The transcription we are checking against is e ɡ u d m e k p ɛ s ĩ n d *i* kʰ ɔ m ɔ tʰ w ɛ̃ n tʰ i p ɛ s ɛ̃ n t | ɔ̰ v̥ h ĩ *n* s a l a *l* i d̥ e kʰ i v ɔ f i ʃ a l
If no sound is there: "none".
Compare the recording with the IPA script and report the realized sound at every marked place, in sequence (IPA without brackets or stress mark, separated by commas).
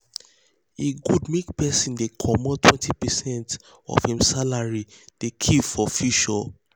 e, m, ɹ